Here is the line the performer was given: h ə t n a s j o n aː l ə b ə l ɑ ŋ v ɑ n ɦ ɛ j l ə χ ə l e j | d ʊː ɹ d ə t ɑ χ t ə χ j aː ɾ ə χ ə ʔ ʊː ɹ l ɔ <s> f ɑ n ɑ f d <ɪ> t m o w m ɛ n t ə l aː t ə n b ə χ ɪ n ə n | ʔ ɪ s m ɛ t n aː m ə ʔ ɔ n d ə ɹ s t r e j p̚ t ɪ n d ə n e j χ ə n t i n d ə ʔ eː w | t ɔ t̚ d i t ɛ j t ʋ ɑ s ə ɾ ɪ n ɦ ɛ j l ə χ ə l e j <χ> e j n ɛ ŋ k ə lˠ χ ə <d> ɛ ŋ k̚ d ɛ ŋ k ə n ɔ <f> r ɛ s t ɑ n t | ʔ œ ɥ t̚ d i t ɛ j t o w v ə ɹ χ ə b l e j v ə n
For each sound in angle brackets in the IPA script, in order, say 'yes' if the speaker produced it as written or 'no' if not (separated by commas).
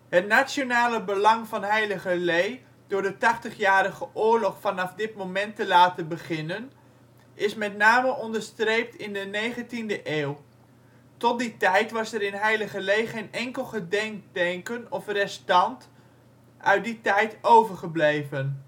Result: no, yes, yes, yes, yes